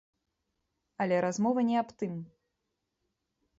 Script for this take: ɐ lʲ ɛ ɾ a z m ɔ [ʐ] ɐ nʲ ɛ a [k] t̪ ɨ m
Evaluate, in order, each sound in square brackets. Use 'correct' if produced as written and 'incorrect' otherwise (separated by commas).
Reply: incorrect, incorrect